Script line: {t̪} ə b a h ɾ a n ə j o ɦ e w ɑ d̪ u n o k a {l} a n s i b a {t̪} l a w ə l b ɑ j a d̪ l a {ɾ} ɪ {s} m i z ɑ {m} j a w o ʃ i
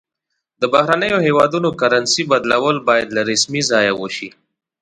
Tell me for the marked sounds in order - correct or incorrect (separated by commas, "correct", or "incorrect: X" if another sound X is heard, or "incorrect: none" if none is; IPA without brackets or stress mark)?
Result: incorrect: d̪, incorrect: ɾ, incorrect: d̪, correct, correct, incorrect: none